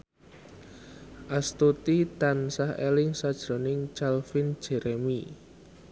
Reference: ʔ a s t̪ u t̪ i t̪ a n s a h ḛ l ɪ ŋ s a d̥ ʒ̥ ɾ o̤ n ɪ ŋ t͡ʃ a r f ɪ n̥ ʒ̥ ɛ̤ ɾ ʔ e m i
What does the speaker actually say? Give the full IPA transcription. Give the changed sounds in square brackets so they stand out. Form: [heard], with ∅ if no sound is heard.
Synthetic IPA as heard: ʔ a s t̪ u t̪ i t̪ a n s a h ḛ l ɪ ŋ s a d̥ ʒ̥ ɾ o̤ n ɪ ŋ t͡ʃ a [l] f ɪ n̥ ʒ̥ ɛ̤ ɾ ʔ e m i

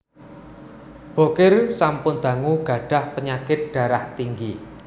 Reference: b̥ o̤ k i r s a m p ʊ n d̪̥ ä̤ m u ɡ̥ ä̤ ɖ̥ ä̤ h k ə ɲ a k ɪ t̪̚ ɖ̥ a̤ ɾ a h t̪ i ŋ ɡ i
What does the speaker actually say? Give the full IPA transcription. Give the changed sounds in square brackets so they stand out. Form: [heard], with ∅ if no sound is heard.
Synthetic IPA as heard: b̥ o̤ k [ɪ] r s a m p ʊ n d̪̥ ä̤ [ŋ] u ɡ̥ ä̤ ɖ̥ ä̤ h [p] ə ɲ a k ɪ t̪̚ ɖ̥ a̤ ɾ a h t̪ i ŋ ɡ i

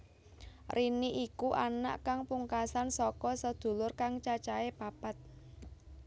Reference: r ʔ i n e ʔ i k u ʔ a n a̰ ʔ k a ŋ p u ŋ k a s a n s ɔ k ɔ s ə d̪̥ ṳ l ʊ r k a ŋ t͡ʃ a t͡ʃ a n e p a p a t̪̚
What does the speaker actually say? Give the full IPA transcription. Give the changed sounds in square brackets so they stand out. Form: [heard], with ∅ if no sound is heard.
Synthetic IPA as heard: r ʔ i n [i] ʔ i k u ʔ a n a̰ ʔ k a ŋ p u ŋ k a s a n s ɔ k ɔ s ə d̪̥ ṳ l ʊ r k a ŋ t͡ʃ a t͡ʃ a [∅] e p a p a t̪̚

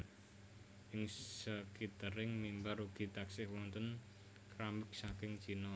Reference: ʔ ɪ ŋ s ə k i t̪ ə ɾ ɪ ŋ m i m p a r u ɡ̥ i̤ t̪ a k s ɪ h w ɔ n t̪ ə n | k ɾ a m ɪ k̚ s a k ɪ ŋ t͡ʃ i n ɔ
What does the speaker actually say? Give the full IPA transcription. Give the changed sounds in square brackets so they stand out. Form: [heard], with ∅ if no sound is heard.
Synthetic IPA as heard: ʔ ɪ ŋ s ə k i t̪ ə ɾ ɪ ŋ m i m [b] a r u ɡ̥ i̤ t̪ a k s ɪ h w ɔ n t̪ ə n | k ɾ a m ɪ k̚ s a k ɪ ŋ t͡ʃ i n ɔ

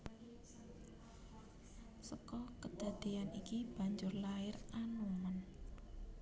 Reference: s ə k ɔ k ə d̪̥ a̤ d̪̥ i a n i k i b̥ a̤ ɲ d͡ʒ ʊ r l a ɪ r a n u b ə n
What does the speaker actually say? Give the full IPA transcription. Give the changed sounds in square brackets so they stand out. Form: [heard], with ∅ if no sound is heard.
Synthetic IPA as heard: s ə k ɔ k ə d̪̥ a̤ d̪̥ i a n i k i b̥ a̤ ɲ d͡ʒ ʊ r l a ɪ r a n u [m] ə n

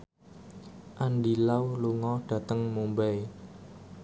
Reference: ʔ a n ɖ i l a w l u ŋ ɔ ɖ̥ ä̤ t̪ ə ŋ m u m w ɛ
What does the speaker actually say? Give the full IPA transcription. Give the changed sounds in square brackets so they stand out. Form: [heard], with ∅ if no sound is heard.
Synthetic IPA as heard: ʔ a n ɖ i l a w l u ŋ ɔ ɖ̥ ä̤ t̪ ə ŋ m u m [b] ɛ

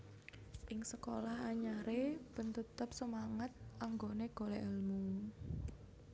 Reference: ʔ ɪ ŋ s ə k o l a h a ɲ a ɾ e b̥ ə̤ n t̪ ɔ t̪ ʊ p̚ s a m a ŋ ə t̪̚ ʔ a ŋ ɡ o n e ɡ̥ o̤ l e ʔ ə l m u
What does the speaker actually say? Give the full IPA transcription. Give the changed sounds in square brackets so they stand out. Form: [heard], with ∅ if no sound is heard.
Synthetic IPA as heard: ʔ ɪ ŋ s ə k o l a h a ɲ a ɾ e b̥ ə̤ n t̪ [u] t̪ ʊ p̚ s [ə] m a ŋ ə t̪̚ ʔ a ŋ ɡ o n e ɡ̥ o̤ l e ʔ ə l m u

